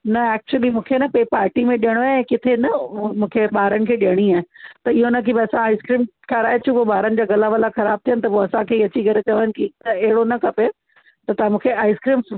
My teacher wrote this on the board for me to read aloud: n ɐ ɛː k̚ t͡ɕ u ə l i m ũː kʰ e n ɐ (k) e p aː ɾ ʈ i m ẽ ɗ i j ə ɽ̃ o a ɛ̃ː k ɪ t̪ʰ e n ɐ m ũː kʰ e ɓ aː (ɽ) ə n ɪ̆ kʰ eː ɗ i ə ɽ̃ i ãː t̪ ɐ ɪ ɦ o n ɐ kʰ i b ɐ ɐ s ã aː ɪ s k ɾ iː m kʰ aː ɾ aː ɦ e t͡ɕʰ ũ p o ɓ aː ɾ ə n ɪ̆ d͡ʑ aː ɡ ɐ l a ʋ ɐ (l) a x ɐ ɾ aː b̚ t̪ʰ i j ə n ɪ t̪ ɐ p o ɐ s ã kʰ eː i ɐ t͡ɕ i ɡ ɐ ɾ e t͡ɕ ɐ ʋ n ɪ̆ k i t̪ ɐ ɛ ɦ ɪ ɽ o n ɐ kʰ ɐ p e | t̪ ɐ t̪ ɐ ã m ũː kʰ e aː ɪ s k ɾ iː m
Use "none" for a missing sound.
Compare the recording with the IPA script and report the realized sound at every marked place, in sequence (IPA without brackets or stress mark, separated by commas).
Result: p, ɾ, l